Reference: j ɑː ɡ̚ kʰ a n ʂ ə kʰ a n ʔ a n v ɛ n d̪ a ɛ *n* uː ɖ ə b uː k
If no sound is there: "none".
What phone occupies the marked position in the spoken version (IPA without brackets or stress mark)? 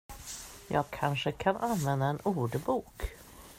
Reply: n